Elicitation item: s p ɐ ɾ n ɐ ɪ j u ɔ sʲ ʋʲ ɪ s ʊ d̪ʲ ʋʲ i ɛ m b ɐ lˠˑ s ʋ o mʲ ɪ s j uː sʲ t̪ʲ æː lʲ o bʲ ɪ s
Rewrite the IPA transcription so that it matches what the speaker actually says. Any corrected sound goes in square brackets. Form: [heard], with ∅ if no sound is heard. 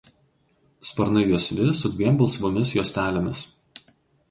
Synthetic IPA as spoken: s p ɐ ɾ n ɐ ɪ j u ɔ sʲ ʋʲ ɪ s ʊ d̪ʲ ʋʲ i ɛ m b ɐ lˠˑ s ʋ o mʲ ɪ s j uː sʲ t̪ʲ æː lʲ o [mʲ] ɪ s

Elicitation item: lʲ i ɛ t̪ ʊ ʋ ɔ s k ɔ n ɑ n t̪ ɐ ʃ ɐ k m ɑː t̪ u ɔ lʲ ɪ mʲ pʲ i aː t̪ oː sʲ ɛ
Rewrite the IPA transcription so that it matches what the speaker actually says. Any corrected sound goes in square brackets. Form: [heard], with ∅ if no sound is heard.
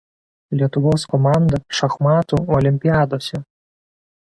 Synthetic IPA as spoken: lʲ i ɛ t̪ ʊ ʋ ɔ s k ɔ [m] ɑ n [d̪] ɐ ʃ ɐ [x] m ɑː t̪ u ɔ lʲ ɪ mʲ pʲ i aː [d̪] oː sʲ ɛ

